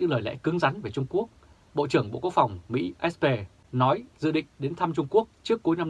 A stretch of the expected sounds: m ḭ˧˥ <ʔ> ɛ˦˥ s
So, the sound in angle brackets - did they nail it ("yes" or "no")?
yes